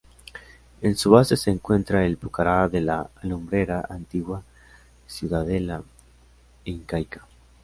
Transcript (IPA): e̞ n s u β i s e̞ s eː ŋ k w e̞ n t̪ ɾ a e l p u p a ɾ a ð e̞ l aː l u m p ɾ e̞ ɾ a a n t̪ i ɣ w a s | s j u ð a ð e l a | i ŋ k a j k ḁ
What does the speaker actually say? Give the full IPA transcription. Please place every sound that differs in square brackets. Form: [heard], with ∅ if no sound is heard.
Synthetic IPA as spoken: e̞ n s u β [a] s e̞ s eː ŋ k w e̞ n t̪ ɾ a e l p u [k] a ɾ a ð e̞ l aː l u m [b] ɾ e̞ ɾ a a n t̪ i ɣ w a [∅] | s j u ð a ð e l a | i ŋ k a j k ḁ